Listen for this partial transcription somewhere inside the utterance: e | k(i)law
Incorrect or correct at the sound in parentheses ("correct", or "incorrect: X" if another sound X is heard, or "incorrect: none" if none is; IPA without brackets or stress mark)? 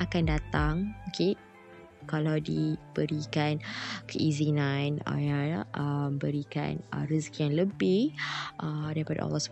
incorrect: a